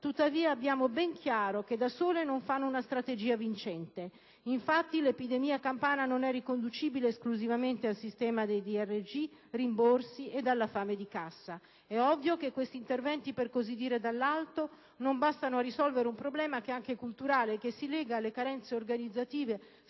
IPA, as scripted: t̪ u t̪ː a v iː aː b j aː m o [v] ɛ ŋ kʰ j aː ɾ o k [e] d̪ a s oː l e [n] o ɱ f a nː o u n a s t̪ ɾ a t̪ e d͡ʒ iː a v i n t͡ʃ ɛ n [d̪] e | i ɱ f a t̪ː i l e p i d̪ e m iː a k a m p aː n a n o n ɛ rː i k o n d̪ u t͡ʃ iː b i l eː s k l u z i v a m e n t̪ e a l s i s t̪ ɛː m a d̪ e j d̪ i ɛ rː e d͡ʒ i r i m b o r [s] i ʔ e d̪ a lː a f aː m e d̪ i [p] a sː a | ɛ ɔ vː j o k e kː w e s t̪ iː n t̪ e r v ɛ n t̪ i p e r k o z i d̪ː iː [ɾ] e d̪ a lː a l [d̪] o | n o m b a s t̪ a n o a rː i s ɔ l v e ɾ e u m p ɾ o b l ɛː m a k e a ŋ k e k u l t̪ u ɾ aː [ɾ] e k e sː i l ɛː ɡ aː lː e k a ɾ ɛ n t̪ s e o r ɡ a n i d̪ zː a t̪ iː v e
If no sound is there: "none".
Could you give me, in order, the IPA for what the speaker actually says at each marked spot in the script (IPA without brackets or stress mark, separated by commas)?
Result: b, e, n, t̪, s, k, ɾ, t̪, l